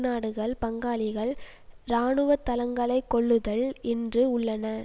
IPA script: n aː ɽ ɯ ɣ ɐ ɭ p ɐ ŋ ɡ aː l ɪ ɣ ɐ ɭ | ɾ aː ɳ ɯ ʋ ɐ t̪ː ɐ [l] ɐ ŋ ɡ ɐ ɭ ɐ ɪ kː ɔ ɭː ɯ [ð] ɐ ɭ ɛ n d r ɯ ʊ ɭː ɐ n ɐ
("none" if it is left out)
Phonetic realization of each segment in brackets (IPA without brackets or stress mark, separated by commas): l, ð